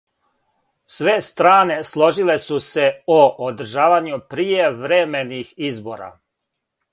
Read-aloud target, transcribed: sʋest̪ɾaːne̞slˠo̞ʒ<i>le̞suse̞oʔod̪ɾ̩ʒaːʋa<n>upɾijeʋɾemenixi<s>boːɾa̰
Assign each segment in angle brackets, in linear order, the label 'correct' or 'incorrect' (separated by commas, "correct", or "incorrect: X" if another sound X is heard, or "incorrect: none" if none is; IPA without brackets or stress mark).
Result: correct, incorrect: ɲ, incorrect: z